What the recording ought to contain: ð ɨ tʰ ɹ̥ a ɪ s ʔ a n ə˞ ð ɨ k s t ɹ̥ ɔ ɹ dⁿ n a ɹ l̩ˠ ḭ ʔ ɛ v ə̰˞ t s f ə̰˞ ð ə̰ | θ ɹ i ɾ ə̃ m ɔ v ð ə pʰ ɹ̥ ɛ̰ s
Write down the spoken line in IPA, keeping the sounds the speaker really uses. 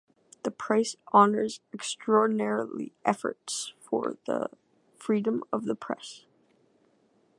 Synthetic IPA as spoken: ð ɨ pʰ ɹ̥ a ɪ s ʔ ɑ n ə˞ z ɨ k s t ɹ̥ ɔ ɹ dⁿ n ɛ ɹ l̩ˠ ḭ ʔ ɛ f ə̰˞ t s f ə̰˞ ð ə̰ | f ɹ i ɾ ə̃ m ʌ v ð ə pʰ ɹ̥ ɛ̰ s